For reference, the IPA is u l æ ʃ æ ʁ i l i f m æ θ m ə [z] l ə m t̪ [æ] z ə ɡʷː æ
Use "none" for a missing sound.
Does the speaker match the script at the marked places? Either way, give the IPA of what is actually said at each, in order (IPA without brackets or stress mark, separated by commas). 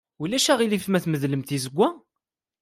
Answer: ð, i